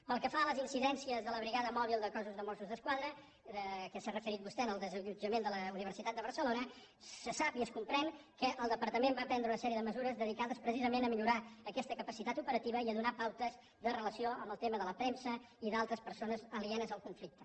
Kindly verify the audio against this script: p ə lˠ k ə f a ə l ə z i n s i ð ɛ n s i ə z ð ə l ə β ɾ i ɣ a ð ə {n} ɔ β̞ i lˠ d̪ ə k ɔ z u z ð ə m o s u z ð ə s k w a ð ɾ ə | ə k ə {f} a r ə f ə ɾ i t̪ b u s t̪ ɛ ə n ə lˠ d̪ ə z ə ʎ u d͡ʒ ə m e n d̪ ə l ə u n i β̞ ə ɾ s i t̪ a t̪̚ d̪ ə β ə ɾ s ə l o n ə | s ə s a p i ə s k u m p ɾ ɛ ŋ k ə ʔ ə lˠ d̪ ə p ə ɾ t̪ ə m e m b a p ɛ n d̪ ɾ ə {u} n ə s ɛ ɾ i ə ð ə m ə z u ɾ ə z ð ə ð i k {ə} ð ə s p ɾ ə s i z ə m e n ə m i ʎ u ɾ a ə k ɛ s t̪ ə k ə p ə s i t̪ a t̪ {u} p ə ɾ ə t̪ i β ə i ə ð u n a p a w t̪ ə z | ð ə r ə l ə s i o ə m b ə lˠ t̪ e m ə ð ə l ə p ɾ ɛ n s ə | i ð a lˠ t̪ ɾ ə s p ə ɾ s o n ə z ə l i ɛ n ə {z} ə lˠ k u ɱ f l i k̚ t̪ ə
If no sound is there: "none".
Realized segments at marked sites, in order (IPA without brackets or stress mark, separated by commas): m, s, u, a, u, z